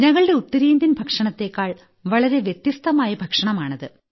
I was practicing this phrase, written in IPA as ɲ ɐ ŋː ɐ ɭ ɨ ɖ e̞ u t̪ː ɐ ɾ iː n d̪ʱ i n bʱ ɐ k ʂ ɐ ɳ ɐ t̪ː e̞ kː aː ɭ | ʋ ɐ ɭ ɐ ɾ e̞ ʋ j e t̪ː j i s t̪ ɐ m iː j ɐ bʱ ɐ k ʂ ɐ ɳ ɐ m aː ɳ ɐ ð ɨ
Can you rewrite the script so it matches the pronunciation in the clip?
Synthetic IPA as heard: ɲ ɐ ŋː ɐ ɭ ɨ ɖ e̞ u t̪ː ɐ ɾ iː n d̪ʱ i n bʱ ɐ k ʂ ɐ ɳ ɐ t̪ː e̞ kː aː ɭ | ʋ ɐ ɭ ɐ ɾ e̞ ʋ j e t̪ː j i s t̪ ɐ m aː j ɐ bʱ ɐ k ʂ ɐ ɳ ɐ m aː ɳ ɐ ð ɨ